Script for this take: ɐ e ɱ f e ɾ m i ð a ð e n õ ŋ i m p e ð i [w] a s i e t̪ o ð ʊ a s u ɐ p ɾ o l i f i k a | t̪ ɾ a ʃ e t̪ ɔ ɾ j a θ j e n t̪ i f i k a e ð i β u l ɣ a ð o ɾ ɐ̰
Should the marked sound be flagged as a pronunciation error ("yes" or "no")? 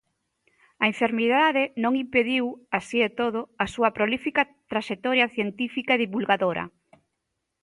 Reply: no